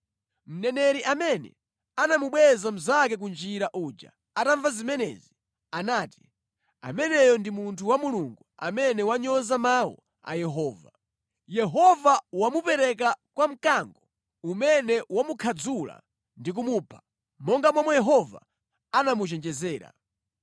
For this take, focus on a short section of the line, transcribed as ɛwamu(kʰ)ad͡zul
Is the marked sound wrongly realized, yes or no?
no